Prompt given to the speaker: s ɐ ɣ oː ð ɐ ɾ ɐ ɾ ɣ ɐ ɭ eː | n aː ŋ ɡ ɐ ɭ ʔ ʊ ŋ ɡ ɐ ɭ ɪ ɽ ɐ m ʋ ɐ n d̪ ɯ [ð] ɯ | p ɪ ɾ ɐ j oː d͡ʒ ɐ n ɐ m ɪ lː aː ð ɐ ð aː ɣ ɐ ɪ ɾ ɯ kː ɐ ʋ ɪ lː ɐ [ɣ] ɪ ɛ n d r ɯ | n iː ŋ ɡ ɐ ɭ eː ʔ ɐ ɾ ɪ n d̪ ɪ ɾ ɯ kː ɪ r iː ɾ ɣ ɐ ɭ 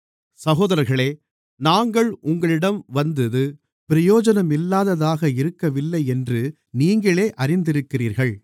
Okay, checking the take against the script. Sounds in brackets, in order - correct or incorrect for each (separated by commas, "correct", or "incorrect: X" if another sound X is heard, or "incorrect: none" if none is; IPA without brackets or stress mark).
correct, incorrect: none